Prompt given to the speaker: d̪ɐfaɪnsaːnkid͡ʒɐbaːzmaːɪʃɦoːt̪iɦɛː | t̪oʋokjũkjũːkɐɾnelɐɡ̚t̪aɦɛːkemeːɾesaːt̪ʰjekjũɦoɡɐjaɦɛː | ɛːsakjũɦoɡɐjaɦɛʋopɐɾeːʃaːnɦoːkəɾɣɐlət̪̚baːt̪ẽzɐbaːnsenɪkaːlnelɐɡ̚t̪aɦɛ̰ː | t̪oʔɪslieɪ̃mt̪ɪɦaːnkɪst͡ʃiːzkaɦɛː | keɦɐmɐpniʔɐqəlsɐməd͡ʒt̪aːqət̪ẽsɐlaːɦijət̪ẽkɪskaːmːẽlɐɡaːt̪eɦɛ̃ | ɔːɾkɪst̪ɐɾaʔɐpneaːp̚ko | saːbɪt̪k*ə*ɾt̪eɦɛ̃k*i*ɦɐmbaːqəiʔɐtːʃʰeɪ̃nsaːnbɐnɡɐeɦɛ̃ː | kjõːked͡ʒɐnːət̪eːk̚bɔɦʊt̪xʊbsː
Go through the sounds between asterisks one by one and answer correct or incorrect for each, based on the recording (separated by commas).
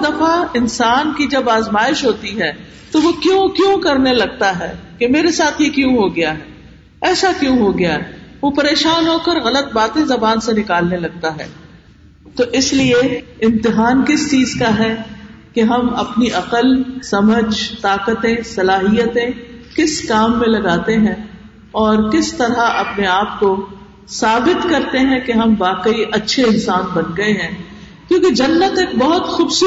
incorrect, incorrect